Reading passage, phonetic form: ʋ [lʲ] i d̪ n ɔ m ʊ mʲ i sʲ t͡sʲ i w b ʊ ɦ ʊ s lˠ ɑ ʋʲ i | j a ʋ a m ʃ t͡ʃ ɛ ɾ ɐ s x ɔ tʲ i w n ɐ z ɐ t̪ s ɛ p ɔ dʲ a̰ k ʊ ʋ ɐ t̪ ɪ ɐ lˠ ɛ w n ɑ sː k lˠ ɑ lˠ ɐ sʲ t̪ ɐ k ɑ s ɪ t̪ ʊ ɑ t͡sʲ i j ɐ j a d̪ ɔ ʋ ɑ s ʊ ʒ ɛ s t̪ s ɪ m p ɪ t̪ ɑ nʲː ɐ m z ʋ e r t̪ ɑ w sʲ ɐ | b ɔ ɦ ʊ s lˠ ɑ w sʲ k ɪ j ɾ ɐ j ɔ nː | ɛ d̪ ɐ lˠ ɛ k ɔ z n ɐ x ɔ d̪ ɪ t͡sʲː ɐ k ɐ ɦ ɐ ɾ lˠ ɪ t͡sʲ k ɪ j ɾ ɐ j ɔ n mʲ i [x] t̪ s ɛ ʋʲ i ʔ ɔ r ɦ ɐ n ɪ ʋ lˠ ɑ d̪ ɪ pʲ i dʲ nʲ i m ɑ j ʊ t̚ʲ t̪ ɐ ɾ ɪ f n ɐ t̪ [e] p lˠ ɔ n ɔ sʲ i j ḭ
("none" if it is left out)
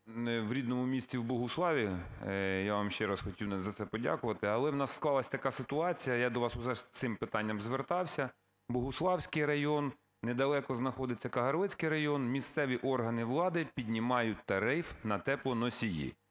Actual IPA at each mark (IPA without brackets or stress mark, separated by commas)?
ɾʲ, s, ɛ